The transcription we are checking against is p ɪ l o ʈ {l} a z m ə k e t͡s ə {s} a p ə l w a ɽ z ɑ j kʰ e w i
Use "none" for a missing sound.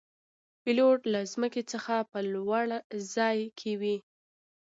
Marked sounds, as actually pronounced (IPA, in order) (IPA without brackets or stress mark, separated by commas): l, x